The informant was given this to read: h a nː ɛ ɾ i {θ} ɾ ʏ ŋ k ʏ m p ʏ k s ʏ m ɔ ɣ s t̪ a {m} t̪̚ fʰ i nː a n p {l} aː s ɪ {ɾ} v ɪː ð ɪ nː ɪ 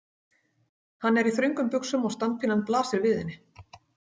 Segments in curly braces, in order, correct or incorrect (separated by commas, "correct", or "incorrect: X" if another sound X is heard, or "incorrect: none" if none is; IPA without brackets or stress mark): correct, incorrect: n, correct, correct